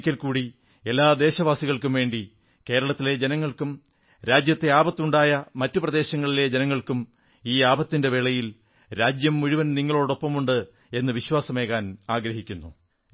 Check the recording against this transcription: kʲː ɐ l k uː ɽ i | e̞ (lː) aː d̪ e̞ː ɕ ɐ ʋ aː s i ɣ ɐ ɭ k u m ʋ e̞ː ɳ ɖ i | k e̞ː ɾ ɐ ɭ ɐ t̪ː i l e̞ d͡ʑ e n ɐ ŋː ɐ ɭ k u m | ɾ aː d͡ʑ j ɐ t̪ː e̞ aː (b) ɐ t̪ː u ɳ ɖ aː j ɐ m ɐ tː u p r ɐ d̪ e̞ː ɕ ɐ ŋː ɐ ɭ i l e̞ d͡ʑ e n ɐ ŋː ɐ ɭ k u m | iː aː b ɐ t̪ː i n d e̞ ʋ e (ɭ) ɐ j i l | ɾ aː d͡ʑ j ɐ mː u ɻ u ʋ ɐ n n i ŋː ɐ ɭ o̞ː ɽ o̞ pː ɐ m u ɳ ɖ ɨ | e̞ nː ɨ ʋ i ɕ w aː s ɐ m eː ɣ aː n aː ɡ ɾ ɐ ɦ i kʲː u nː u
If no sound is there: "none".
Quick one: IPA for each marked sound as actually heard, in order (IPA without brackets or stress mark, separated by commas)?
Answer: lː, b, ɭ